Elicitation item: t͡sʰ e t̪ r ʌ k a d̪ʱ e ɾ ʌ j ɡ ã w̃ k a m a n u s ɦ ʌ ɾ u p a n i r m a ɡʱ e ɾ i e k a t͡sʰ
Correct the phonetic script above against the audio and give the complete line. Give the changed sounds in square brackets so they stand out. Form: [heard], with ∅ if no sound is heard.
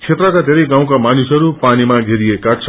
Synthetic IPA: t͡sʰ e t̪ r ʌ k a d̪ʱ e ɾ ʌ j ɡ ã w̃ k a m a n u s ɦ ʌ ɾ u p a n i [∅] m a ɡʱ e ɾ i e k a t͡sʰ